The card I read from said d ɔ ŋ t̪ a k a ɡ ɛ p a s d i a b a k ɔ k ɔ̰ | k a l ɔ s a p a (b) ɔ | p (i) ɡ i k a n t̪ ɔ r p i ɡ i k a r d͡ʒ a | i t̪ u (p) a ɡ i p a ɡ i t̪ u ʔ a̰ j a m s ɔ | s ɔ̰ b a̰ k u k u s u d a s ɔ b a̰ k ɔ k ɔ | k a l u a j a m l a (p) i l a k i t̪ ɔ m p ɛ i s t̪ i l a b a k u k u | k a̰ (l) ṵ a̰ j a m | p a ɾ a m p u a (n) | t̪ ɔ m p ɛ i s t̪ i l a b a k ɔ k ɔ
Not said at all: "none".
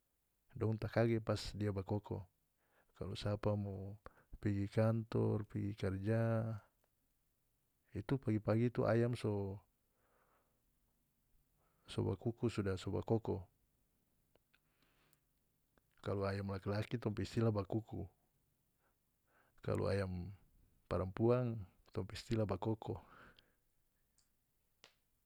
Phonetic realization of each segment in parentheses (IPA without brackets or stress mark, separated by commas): m, i, p, k, l, ŋ